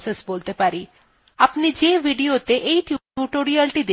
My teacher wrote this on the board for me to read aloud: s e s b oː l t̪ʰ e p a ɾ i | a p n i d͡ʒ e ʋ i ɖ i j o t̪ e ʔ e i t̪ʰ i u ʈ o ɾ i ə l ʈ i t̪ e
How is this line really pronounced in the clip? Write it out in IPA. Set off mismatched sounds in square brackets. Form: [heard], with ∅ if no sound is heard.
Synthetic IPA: s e s b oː l [t̪] e p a ɾ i | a p n i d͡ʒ e ʋ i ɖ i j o t̪ e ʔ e i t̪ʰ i u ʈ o ɾ i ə l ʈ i [d̪] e